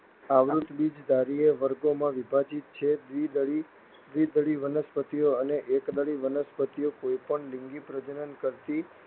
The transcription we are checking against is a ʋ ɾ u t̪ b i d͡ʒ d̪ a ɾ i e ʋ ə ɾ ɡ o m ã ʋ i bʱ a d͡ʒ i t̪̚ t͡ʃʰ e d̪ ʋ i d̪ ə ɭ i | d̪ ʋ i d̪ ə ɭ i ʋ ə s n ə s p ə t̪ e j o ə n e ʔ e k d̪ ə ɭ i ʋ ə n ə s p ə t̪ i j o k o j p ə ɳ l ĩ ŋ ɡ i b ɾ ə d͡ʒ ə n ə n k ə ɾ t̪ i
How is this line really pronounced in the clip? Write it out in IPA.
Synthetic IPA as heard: a ʋ ɾ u t̪ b i d͡ʒ d̪ a ɾ i e ʋ ə ɾ ɡ o m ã ʋ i bʱ a d͡ʒ i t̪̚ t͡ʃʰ e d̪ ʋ i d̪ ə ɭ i | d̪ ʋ i d̪ ə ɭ i ʋ ə n ə s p ə t̪ i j o ə n e ʔ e k d̪ ə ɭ i ʋ ə n ə s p ə t̪ i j o k o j p ə ɳ l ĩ ŋ ɡ i p ɾ ə d͡ʒ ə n ə n k ə ɾ t̪ i